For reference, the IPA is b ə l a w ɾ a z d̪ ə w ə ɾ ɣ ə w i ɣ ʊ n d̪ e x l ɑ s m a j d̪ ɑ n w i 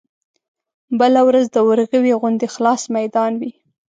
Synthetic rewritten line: b ə l a w ɾ a z d̪ ə w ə ɾ ɣ ə w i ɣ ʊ n d̪ e x l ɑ s m a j d̪ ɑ n w i